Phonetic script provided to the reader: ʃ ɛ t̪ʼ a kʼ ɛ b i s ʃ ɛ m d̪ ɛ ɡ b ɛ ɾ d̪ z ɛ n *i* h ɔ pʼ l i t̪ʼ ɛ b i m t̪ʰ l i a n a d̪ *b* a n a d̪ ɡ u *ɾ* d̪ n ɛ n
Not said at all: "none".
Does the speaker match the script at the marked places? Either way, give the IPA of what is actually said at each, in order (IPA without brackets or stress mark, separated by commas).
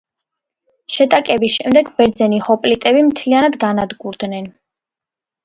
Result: i, ɡ, ɾ